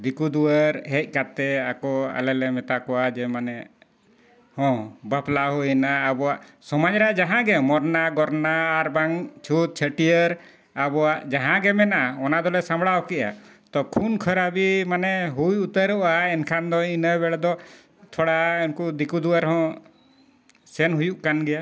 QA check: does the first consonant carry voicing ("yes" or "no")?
yes